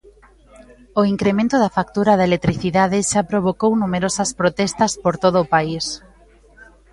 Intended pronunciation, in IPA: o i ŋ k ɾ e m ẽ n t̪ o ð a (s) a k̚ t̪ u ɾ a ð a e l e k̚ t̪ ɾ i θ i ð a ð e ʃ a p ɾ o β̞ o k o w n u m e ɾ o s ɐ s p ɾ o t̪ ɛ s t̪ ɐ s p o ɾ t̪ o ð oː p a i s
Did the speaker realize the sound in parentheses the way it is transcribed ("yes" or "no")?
no